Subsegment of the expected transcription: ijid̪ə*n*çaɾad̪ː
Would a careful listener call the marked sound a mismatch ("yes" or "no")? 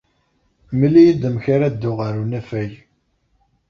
yes